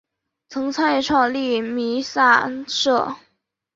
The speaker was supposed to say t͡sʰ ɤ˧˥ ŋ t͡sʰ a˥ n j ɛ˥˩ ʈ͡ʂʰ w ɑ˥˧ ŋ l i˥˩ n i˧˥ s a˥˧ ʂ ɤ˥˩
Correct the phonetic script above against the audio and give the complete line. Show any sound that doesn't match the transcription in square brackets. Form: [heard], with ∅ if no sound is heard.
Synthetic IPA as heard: t͡sʰ ɤ˧˥ ŋ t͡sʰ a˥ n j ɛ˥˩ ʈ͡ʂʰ w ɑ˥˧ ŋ l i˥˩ [m] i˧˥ s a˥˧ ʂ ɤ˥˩